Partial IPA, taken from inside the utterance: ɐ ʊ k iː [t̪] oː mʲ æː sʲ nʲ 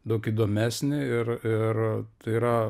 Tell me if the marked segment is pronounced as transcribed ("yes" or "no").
no